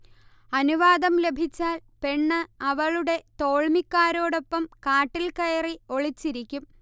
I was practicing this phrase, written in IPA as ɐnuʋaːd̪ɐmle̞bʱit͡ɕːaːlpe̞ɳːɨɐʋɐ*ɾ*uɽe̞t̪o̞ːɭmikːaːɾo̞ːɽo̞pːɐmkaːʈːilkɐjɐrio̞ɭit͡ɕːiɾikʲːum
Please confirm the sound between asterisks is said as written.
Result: no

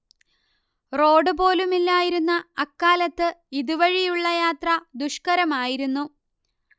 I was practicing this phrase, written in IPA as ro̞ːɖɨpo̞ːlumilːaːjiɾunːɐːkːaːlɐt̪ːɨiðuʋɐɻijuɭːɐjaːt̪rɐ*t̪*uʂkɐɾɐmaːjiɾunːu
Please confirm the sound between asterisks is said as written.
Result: no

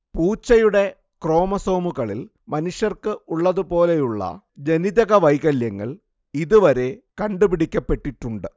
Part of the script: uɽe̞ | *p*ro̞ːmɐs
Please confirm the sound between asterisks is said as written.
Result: no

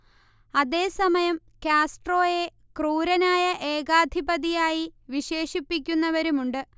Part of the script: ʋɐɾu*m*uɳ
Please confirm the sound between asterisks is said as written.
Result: yes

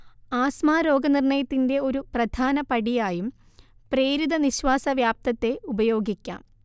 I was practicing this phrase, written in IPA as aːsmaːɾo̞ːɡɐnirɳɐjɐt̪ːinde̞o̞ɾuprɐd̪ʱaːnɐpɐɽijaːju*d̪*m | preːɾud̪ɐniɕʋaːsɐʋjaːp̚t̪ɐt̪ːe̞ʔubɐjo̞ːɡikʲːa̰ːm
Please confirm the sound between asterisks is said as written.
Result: no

